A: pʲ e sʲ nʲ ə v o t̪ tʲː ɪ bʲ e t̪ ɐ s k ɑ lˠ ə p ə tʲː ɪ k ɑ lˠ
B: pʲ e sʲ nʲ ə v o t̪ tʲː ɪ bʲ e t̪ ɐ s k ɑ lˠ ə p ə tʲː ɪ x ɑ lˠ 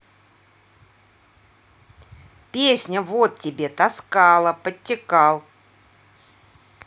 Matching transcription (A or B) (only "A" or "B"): A